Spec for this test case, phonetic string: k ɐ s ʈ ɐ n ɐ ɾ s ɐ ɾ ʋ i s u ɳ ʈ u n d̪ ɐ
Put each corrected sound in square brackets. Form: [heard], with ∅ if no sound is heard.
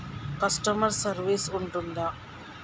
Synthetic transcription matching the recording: k ɐ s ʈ ɐ [m] ɐ ɾ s ɐ ɾ ʋ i s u ɳ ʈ u n d̪ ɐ